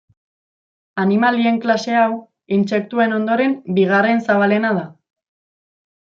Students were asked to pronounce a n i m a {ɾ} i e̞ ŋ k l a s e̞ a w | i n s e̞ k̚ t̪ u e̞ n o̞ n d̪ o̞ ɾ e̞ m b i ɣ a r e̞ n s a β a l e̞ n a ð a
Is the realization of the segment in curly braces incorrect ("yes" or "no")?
yes